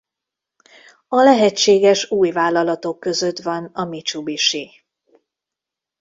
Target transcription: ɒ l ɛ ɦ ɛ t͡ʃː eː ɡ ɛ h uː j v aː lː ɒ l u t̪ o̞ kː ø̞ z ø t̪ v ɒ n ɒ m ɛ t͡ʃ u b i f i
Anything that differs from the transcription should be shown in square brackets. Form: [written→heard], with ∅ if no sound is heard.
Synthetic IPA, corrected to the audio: ɒ l ɛ ɦ ɛ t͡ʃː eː ɡ ɛ [h→ʃ] uː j v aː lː ɒ l [u→ɒ] t̪ o̞ kː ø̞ z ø t̪ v ɒ n ɒ m [ɛ→i] t͡ʃ u b i [f→ʃ] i